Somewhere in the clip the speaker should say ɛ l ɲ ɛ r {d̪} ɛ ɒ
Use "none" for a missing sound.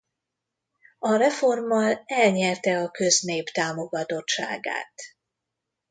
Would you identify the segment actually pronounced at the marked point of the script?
t̪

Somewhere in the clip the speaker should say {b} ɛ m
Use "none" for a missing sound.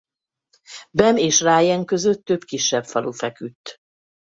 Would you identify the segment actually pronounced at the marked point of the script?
b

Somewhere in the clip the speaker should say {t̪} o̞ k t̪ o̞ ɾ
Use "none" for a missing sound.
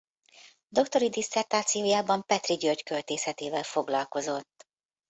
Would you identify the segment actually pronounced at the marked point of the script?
d̪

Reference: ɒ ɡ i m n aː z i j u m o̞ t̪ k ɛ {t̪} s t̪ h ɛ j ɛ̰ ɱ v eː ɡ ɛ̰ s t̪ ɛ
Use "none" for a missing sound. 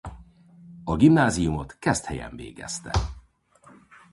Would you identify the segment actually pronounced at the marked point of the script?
none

